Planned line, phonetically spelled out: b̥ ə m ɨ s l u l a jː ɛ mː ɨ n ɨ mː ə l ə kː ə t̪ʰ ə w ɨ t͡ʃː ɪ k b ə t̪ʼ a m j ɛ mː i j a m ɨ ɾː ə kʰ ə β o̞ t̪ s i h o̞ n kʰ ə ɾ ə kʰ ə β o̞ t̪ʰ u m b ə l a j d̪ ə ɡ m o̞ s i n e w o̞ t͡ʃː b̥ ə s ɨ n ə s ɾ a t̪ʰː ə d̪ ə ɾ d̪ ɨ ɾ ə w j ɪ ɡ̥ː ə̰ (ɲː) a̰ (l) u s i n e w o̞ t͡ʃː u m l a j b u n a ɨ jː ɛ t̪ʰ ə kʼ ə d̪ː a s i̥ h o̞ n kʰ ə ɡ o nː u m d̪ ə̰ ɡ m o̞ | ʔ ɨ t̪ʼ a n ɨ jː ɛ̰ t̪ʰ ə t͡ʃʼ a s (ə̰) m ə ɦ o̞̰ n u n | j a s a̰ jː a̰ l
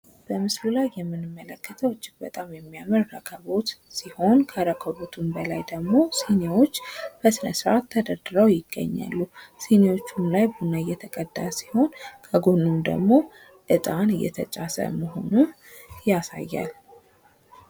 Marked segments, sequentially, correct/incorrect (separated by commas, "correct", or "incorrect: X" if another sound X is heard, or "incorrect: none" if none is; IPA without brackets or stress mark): correct, incorrect: lː, correct